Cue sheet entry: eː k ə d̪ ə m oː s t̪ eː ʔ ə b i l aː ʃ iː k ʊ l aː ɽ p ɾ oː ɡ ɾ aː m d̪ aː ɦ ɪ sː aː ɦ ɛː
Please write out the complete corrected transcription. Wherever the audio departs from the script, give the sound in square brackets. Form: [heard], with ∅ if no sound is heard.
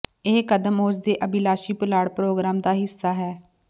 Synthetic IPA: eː k ə d̪ ə m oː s [d̪] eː ʔ ə b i l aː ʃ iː [p] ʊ l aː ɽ p ɾ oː ɡ ɾ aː m d̪ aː ɦ ɪ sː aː ɦ ɛː

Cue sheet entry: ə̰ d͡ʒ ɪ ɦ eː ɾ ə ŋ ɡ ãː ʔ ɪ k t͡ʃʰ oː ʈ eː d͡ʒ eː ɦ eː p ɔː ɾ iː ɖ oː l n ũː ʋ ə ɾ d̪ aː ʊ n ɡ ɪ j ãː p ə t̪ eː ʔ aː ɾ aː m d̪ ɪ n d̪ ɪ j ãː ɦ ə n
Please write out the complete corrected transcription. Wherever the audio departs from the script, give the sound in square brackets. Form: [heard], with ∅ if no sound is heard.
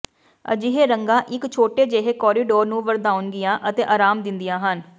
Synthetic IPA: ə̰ d͡ʒ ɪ ɦ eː ɾ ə ŋ ɡ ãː ʔ ɪ k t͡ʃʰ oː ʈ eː d͡ʒ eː ɦ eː [k] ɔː ɾ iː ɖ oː [ɾ] n ũː ʋ ə ɾ d̪ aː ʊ n ɡ ɪ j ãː [ʔ] ə t̪ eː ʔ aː ɾ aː m d̪ ɪ n d̪ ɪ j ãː ɦ ə n

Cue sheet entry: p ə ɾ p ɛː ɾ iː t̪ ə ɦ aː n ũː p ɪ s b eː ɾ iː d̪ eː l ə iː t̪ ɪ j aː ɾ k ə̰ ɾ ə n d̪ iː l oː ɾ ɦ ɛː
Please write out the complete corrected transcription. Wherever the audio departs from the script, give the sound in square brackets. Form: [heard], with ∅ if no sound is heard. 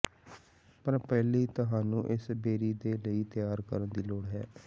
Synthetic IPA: p ə ɾ p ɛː [l] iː t̪ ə ɦ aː n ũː [ʔ] ɪ s b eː ɾ iː d̪ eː l ə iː t̪ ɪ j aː ɾ k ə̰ ɾ ə n d̪ iː l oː [ɽ] ɦ ɛː

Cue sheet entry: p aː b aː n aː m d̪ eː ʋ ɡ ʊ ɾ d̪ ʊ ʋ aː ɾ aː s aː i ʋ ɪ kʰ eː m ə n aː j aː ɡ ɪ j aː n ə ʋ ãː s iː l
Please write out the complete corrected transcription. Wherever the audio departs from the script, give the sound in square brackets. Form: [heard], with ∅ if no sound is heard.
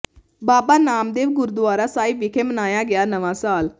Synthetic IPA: [b] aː b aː n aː m d̪ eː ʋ ɡ ʊ ɾ d̪ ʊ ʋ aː ɾ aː s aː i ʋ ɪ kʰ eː m ə n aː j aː ɡ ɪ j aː n ə ʋ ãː s [aː] l

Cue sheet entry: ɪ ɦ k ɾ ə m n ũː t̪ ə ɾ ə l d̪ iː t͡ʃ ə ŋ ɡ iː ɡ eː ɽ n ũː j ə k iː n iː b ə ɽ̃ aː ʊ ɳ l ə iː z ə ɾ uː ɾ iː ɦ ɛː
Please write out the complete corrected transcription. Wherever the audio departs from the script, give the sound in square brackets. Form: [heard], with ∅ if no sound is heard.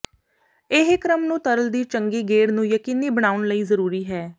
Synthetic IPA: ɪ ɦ k ɾ ə m n ũː t̪ ə ɾ ə l d̪ iː t͡ʃ ə ŋ ɡ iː ɡ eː ɽ n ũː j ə k iː n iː b ə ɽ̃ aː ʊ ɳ l ə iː z ə ɾ uː ɾ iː ɦ ɛː

